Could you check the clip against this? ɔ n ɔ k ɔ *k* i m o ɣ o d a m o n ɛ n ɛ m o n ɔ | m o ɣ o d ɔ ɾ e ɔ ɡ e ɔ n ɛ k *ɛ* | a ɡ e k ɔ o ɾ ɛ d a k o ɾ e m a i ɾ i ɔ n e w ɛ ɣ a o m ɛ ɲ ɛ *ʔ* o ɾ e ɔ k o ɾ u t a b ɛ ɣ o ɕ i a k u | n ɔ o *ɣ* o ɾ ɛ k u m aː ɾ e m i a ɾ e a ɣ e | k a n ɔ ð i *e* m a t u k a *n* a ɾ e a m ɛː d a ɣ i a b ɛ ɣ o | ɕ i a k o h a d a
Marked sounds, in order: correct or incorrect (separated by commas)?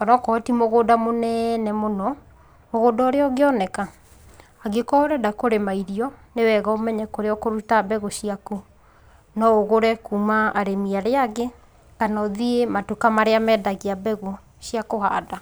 incorrect, incorrect, incorrect, correct, correct, incorrect